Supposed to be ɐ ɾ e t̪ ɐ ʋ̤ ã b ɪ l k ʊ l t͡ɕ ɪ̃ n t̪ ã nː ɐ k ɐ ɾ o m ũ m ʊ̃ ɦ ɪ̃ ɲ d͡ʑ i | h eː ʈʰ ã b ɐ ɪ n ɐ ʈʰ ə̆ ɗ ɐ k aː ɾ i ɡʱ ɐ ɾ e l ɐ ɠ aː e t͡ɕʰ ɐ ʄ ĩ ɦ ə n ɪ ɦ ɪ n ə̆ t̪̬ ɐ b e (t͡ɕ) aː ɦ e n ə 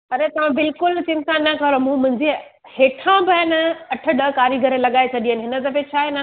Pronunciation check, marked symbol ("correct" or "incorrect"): incorrect